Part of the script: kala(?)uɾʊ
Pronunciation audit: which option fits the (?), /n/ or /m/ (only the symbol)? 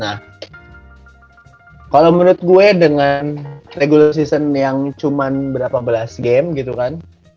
m